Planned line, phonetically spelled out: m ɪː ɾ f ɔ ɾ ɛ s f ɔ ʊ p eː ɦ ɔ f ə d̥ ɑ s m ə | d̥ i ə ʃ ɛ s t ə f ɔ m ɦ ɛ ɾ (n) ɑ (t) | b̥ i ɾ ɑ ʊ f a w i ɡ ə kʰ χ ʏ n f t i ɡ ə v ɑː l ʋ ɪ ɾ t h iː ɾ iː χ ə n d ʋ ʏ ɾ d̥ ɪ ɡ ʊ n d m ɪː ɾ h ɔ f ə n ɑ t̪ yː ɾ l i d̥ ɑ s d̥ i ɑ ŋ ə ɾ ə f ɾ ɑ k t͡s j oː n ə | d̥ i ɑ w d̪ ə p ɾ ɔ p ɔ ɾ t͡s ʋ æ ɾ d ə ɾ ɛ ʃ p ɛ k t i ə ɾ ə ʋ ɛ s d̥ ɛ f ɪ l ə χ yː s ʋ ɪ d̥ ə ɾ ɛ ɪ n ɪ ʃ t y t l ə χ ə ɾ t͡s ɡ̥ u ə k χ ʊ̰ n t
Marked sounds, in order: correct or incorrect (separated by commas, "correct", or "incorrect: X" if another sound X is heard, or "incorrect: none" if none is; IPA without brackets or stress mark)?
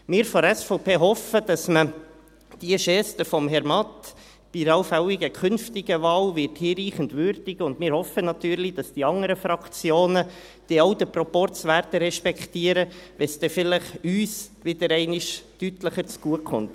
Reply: incorrect: m, correct